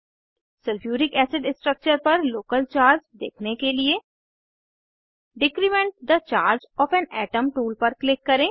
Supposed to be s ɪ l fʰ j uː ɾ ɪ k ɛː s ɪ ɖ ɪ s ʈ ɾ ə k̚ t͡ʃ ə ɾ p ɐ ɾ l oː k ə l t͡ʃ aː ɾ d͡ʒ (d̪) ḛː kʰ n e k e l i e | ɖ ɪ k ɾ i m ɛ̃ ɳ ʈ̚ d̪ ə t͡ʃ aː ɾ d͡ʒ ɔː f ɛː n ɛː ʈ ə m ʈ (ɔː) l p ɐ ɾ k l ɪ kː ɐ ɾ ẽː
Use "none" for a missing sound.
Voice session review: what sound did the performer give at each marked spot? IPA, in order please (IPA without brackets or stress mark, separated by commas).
d̪, uː